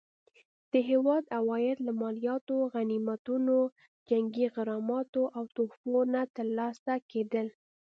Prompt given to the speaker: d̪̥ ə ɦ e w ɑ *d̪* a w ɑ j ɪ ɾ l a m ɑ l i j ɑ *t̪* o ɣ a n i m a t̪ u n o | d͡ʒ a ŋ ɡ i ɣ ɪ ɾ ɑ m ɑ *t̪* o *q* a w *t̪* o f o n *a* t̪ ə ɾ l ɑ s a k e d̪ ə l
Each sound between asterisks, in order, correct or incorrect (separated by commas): correct, correct, correct, incorrect, correct, correct